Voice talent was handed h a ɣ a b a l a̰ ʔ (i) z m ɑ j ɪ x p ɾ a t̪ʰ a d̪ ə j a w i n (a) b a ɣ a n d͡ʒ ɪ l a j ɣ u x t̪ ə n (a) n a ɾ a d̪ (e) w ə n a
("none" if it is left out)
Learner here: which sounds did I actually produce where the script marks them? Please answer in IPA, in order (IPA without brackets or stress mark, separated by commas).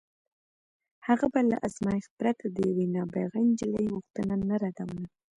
a, ɑ, a, a